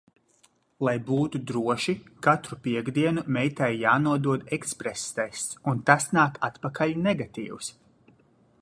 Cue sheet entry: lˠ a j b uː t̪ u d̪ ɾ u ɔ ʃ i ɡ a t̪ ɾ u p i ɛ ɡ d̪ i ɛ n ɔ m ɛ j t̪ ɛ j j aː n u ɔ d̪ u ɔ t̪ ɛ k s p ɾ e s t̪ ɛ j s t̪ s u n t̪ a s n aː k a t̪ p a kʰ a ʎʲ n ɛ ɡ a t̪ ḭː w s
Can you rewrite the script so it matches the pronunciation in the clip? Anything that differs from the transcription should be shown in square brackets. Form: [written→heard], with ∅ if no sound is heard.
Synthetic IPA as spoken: lˠ a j b uː t̪ u d̪ ɾ u ɔ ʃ i [ɡ→k] a t̪ ɾ u p i ɛ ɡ d̪ i ɛ n [ɔ→u] m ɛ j t̪ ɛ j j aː n u ɔ d̪ u ɔ [t̪→d̪] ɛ k s p ɾ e s t̪ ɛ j s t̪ s u n t̪ a s n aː k a t̪ p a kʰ a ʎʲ n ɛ ɡ a t̪ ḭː w s

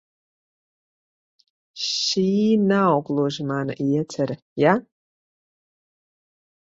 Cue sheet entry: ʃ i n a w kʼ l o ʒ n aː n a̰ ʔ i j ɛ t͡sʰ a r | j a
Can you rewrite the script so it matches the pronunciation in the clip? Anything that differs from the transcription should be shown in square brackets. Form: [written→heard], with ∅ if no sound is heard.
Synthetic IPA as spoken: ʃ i n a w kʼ l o ʒ [n→m] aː n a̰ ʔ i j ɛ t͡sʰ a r | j a

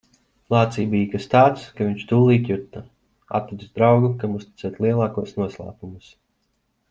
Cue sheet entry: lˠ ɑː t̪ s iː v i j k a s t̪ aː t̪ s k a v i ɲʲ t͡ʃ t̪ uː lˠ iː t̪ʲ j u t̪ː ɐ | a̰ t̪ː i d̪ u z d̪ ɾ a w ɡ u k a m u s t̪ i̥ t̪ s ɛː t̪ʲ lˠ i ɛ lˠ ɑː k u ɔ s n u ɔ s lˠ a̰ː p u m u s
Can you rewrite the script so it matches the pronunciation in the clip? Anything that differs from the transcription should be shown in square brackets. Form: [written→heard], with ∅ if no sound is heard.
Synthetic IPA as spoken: lˠ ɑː t̪ s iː [v→b] i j k a s t̪ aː t̪ s k a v i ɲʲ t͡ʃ t̪ uː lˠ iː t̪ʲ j u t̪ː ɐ | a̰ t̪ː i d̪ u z d̪ ɾ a w ɡ u k a m u s t̪ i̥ t̪ s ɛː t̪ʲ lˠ i ɛ lˠ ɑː k u ɔ s n u ɔ s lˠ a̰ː p u m u s

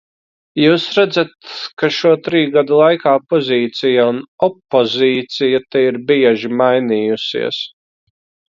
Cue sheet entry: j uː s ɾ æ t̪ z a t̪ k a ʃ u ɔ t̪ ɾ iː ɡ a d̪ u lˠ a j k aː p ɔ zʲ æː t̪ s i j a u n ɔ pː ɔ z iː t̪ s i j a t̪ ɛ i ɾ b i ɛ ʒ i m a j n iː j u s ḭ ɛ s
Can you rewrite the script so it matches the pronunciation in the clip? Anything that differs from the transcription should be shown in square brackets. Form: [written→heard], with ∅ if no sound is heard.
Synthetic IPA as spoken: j uː s ɾ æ [t̪→d̪] z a t̪ k a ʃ u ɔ t̪ ɾ iː ɡ a d̪ u lˠ a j k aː p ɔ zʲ [æː→iː] t̪ s i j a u n ɔ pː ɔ z iː t̪ s i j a t̪ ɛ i ɾ b i ɛ ʒ i m a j n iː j u s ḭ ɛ s

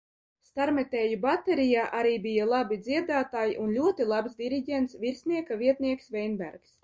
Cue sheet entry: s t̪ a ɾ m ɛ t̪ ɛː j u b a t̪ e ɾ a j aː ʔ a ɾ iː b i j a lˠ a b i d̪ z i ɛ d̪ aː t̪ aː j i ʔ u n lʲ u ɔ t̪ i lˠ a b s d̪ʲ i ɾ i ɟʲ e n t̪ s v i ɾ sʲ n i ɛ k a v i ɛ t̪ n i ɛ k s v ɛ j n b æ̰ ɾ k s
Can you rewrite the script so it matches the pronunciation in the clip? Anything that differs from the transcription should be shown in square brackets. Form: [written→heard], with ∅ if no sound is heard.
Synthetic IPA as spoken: s t̪ a ɾ m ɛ t̪ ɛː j u b a t̪ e ɾ [a→i] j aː ʔ a ɾ iː b i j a lˠ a b i d̪ z i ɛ d̪ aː t̪ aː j i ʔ u n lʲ u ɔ t̪ i lˠ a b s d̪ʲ i ɾ i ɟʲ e n t̪ s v i ɾ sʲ n i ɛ k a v i ɛ t̪ n i ɛ k s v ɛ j n b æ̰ ɾ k s

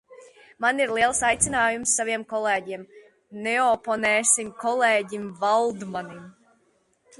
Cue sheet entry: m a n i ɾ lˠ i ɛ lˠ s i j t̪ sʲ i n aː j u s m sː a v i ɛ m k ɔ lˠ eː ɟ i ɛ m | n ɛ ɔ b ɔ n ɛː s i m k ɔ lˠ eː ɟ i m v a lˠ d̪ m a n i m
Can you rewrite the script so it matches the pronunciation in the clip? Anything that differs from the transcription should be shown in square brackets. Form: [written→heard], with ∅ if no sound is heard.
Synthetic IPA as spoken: m a n i ɾ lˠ i ɛ lˠ s [i→a] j t̪ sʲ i n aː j u [s→∅] m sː a v i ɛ m k ɔ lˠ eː ɟ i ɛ m | n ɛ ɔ [b→p] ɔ n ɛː s i m k ɔ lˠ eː ɟ i m v a lˠ d̪ m a n i m

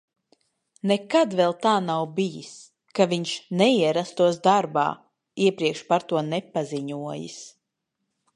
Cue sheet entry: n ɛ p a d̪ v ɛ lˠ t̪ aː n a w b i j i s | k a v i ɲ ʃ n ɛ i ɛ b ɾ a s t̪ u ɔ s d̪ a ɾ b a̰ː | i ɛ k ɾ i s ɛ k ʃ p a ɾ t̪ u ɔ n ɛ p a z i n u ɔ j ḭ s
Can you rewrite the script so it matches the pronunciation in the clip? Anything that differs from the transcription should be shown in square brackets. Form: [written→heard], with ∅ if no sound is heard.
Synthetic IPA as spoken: n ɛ [p→k] a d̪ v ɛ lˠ t̪ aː n a w b i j i s | k a v i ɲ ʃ n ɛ i ɛ [b→∅] ɾ a s t̪ u ɔ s d̪ a ɾ b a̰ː | i ɛ [k→p] ɾ i [s→∅] ɛ k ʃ p a ɾ t̪ u ɔ n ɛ p a z i [n→ɲ] u ɔ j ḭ s

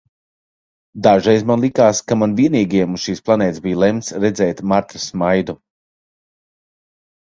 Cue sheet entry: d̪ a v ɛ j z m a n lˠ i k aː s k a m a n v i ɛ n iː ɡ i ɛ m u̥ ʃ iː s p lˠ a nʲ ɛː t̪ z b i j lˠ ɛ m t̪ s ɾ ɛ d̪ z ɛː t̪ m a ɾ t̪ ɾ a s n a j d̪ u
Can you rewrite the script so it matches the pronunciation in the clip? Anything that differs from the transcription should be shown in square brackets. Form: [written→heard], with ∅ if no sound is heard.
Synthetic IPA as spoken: d̪ a [v→ʒ] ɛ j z m a n lˠ i k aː s k a m a n v i ɛ n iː ɡ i ɛ m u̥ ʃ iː s p lˠ a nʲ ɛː t̪ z b i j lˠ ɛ m t̪ s ɾ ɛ d̪ z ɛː t̪ m a ɾ t̪ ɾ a s [n→m] a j d̪ u

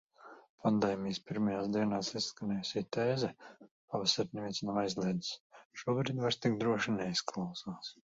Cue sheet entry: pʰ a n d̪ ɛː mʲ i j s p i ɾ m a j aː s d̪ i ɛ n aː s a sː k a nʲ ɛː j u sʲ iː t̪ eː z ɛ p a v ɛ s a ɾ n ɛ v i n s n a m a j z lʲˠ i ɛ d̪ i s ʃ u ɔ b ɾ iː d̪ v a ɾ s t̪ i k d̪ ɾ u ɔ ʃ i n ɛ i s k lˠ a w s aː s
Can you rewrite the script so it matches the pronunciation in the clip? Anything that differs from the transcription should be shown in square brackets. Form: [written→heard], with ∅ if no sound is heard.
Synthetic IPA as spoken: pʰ a n d̪ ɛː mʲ i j s p i ɾ m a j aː s d̪ i ɛ n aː s [a→i] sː k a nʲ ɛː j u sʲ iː t̪ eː z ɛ p a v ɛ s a ɾ n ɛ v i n s n a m a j z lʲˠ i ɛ d̪ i s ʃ u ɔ b ɾ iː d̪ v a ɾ s t̪ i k d̪ ɾ u ɔ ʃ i n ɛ i s k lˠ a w s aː s

